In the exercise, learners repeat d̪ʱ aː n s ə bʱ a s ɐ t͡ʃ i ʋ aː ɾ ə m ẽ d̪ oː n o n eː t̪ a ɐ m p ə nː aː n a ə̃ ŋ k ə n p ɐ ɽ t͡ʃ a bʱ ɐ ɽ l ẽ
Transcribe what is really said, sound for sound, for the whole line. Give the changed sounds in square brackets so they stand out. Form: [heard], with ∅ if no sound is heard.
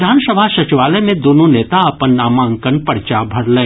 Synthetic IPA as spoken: d̪ʱ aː n s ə bʱ a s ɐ t͡ʃ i ʋ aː [l] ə m ẽ d̪ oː n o n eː t̪ a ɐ [∅] p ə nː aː [m] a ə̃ ŋ k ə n p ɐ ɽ t͡ʃ a bʱ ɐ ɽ l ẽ

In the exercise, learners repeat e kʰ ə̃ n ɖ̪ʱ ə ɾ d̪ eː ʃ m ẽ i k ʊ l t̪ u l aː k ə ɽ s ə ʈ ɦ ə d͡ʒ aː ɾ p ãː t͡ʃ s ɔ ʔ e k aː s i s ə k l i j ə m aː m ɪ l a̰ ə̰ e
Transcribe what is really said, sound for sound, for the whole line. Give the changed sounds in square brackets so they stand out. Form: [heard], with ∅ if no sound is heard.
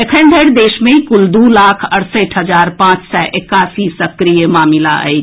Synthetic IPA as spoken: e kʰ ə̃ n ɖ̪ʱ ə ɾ d̪ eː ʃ m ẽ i k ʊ l [d̪] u l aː [kʰ] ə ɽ s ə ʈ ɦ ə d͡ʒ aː ɾ p ãː t͡ʃ s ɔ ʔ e k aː s i s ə k [ɾ] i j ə m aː m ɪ l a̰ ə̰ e

